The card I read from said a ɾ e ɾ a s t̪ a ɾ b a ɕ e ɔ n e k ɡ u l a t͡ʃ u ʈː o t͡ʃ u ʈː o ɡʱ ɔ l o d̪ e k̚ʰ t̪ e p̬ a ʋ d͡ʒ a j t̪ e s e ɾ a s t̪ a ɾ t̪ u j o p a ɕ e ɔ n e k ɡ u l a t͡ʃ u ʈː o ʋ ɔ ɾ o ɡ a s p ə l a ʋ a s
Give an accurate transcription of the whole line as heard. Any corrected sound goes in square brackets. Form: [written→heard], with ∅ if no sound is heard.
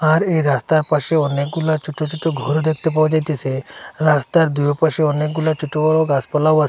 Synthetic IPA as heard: a ɾ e ɾ a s t̪ a ɾ [b→p] a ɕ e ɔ n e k ɡ u l a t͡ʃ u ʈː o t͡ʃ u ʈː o ɡʱ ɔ [l→ɾ] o d̪ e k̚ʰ t̪ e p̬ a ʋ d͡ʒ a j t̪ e s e ɾ a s t̪ a ɾ [t̪→d̪] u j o p a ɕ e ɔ n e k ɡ u l a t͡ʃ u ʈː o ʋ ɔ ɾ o ɡ a s p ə l a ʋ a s